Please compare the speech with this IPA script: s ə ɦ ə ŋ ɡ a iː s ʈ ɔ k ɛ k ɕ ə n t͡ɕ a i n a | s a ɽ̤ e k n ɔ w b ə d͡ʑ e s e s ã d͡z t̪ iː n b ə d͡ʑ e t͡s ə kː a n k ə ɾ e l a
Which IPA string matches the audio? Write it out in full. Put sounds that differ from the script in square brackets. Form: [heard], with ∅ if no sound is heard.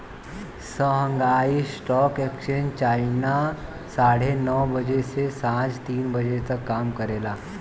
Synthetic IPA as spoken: s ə ɦ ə ŋ ɡ a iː s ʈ ɔ k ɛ k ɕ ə n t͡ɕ a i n a | s a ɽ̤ e [∅] n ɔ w b ə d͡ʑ e s e s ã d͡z t̪ iː n b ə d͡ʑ e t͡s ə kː a [m] k ə ɾ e l a